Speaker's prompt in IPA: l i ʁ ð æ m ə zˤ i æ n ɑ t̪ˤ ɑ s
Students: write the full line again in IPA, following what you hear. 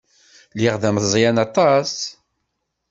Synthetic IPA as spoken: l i ʁ ð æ m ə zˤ j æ n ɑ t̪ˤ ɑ s